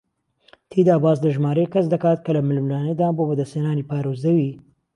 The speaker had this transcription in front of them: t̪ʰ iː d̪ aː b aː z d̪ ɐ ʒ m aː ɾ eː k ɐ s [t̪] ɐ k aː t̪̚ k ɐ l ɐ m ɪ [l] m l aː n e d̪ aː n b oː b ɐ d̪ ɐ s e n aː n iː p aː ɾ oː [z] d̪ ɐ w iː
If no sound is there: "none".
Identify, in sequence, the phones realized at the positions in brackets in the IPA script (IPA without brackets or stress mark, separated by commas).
d̪, l, z